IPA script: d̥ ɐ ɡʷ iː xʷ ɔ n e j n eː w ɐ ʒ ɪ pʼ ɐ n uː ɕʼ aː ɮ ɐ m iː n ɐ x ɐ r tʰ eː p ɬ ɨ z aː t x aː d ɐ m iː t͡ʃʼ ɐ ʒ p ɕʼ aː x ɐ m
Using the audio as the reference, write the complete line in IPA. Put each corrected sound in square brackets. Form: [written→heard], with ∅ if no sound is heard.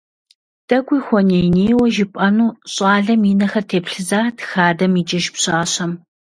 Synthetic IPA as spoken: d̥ ɐ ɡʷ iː xʷ ɔ n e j n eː w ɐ ʒ ɪ pʼ ɐ n uː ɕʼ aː ɮ ɐ m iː n ɐ x ɐ r tʰ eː p ɬ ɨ z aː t x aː d ɐ m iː t͡ʃʼ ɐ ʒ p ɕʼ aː [x→ɕ] ɐ m